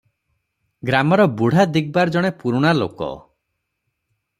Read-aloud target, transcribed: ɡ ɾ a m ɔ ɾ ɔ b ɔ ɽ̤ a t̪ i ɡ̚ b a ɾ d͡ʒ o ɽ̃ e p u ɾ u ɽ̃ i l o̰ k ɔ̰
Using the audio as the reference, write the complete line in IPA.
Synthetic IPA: ɡ ɾ a m ɔ ɾ ɔ b u ɽ̤ a d̪ i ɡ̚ b a ɾ d͡ʒ ɔ ɽ̃ e p u ɾ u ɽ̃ a l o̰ k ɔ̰